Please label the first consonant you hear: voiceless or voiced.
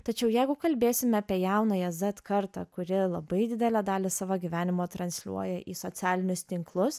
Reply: voiceless